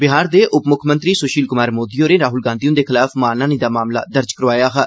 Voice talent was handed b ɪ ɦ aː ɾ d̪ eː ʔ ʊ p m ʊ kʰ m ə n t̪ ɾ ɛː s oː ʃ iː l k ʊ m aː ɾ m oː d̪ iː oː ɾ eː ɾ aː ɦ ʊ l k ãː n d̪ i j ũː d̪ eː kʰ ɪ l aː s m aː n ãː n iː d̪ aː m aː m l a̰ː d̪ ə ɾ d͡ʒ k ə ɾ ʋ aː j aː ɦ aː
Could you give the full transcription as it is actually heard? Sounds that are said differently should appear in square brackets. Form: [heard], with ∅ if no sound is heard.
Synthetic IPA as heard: b ɪ ɦ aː ɾ d̪ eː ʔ ʊ p m ʊ kʰ m ə n t̪ ɾ [iː] s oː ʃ iː l k ʊ m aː ɾ m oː d̪ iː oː ɾ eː ɾ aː ɦ ʊ l [ɡ] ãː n d̪ i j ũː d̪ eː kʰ ɪ l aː [f] m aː n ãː n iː d̪ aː m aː m l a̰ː d̪ ə ɾ d͡ʒ k ə ɾ ʋ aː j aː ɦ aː